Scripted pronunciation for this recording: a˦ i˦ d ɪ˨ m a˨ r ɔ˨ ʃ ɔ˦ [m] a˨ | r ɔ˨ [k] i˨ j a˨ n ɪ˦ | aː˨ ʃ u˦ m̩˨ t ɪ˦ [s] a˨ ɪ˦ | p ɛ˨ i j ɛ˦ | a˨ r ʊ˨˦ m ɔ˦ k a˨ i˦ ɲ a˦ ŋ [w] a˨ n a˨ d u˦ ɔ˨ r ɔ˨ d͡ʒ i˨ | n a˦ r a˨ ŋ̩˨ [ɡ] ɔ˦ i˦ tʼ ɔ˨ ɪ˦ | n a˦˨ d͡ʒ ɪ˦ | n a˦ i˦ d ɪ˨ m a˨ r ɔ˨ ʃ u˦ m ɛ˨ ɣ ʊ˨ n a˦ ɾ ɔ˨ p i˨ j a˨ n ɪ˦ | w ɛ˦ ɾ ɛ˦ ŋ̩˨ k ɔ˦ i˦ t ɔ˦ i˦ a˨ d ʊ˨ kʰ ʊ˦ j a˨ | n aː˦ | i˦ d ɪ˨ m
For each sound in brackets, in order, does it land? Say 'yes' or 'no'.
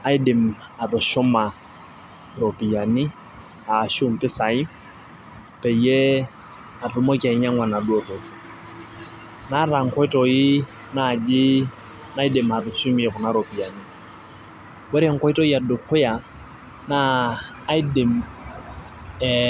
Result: yes, no, yes, yes, no

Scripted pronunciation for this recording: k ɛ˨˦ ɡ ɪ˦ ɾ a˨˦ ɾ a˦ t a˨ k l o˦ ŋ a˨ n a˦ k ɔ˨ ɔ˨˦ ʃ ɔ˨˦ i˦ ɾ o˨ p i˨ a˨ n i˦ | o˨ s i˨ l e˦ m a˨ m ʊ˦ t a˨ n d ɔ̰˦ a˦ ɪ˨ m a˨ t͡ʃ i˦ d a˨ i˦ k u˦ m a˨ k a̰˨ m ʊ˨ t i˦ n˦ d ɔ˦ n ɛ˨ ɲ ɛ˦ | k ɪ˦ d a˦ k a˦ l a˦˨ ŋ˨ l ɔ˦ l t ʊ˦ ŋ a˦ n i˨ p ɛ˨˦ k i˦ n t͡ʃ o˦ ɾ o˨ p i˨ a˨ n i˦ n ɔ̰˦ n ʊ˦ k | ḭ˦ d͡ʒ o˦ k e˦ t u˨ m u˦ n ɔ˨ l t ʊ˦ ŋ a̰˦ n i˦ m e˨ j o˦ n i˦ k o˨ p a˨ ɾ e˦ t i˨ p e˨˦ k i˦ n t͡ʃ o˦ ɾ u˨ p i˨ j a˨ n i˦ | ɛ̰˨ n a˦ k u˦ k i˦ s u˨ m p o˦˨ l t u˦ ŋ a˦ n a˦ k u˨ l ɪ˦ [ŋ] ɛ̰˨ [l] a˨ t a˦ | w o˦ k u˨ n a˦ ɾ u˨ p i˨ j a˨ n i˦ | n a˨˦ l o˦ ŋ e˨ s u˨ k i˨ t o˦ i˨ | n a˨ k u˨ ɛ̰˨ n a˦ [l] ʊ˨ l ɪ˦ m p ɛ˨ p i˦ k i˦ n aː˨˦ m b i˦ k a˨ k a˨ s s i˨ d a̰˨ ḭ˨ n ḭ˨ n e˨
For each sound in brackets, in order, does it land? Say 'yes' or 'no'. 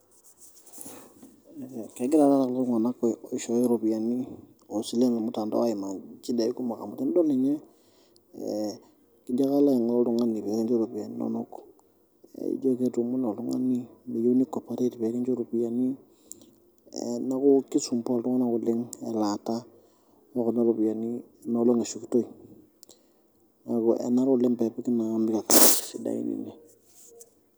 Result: yes, yes, no

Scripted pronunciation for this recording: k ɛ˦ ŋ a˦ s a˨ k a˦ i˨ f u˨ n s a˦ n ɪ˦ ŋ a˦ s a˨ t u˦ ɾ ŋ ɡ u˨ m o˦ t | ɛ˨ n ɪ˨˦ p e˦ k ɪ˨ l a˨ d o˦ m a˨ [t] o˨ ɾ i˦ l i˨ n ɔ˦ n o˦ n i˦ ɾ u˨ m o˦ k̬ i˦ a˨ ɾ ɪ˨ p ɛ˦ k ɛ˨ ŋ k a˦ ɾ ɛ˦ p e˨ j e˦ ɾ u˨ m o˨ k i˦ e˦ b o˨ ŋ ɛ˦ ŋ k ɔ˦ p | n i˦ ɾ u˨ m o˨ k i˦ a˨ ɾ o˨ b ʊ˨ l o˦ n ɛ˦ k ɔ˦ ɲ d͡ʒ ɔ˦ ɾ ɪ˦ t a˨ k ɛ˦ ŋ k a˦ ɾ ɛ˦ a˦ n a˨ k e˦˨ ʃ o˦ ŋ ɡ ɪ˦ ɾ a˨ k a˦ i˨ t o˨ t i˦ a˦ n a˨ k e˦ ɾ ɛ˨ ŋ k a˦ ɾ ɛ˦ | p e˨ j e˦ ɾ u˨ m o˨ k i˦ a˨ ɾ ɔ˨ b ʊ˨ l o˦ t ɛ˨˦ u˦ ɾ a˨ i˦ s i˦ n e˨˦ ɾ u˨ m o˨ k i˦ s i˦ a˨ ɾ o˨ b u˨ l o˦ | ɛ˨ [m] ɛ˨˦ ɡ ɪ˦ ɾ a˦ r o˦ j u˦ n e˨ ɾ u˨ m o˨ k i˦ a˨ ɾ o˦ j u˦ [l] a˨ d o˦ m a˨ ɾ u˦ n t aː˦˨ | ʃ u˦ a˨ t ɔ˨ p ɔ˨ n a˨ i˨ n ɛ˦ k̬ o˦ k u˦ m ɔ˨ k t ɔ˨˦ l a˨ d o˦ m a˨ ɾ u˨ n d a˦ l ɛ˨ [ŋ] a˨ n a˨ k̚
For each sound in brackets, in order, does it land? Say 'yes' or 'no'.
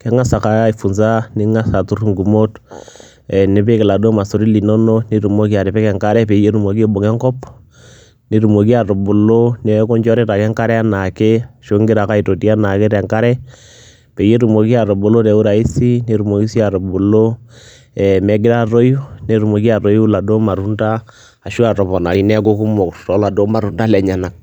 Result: no, yes, yes, no

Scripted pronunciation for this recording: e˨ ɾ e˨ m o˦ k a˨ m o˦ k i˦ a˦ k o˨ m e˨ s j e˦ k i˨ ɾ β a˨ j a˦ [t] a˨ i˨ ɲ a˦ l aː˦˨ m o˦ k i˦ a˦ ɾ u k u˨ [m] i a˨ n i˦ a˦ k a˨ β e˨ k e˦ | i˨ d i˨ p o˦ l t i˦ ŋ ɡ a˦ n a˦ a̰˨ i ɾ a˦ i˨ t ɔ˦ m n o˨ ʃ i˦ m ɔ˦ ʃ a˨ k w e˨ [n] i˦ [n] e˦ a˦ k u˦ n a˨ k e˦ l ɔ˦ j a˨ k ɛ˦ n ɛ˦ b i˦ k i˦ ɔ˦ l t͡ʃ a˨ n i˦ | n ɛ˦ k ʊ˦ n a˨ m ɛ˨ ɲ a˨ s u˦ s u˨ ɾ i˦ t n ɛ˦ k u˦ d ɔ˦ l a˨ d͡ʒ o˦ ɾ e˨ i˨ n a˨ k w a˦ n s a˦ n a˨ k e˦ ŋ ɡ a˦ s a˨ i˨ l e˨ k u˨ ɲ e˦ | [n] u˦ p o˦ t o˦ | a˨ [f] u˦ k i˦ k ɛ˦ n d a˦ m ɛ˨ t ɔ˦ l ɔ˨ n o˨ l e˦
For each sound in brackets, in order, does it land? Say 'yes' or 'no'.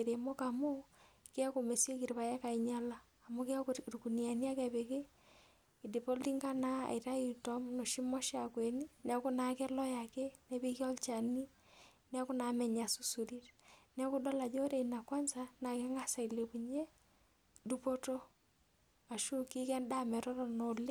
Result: no, no, yes, yes, no, no

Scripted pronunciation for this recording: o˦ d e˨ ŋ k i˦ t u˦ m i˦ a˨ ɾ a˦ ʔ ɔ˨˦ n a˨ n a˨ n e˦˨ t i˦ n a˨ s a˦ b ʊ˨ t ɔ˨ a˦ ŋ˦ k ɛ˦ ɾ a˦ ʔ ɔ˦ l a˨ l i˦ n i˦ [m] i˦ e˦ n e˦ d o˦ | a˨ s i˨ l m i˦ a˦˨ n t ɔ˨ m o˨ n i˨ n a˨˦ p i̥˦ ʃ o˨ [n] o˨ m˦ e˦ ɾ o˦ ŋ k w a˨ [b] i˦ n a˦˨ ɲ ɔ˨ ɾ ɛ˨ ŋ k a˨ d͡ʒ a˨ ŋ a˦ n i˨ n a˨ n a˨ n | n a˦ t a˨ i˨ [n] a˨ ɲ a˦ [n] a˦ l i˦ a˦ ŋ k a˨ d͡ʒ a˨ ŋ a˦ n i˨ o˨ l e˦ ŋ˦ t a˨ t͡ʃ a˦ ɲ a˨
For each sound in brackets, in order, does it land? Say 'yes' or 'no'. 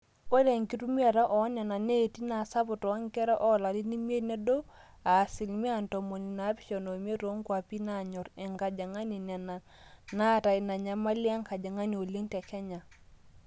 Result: yes, yes, no, yes, no

